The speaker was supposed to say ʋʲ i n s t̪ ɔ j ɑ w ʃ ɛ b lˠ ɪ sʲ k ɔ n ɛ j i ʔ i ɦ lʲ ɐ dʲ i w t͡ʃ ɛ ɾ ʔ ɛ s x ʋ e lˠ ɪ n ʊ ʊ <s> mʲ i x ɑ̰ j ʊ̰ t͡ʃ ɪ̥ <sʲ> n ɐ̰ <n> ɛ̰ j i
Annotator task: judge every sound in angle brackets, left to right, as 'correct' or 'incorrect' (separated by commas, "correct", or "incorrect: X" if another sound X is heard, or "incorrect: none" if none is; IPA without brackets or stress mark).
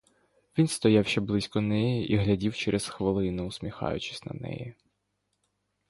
correct, correct, correct